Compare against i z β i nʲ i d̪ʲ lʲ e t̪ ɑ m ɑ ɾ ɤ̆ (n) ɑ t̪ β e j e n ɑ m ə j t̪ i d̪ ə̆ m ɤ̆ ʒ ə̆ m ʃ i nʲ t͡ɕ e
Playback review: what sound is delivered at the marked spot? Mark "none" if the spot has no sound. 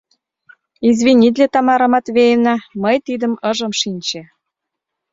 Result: m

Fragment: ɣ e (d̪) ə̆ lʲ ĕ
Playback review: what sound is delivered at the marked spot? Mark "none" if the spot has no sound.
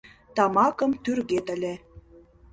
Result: t̪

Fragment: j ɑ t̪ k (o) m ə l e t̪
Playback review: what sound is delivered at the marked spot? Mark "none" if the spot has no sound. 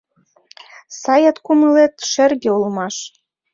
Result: u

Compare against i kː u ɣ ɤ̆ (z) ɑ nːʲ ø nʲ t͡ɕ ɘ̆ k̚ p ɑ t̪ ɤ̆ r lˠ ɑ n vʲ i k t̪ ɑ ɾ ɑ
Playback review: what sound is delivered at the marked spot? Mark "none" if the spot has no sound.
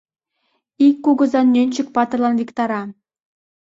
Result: z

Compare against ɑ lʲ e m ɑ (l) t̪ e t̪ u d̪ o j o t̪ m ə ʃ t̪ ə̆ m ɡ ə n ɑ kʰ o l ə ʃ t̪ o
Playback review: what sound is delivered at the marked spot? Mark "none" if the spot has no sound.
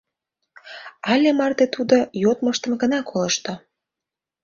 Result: r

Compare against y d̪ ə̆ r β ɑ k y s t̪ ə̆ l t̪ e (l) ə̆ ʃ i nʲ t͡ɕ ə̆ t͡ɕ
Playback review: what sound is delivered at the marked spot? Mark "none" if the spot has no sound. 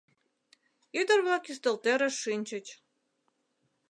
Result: ɾ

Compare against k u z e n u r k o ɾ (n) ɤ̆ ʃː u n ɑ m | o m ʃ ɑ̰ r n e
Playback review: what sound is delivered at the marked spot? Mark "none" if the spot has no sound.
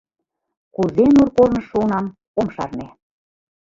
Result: n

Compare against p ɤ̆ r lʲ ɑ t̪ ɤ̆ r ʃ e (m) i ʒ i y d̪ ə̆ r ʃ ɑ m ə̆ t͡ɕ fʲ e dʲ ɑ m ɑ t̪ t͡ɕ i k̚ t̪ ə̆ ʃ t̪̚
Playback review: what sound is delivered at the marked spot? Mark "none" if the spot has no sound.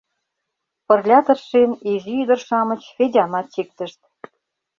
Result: n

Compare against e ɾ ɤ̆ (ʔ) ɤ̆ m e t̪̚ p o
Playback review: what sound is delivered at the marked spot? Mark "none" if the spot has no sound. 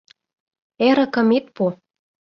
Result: k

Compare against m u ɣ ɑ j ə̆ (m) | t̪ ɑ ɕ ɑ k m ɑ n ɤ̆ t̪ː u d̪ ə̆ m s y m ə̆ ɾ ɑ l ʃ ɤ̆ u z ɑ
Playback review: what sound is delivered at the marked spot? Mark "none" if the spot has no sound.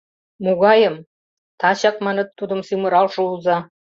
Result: m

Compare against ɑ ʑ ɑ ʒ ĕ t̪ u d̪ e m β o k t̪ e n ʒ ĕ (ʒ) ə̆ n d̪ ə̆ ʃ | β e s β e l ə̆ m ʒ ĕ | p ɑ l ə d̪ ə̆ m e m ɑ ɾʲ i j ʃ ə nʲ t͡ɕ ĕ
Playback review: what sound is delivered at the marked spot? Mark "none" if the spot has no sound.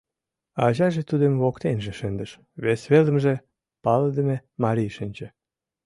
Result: ʃ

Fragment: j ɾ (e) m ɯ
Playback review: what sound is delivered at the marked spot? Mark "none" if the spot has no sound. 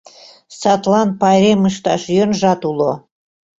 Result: e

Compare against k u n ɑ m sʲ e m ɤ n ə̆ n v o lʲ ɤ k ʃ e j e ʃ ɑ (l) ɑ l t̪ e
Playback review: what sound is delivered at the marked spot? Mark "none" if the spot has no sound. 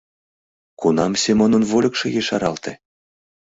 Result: ɾ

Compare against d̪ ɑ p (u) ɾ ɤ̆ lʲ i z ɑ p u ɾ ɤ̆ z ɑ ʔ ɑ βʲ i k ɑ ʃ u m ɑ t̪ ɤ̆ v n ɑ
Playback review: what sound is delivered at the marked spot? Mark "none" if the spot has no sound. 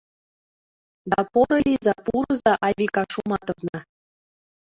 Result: o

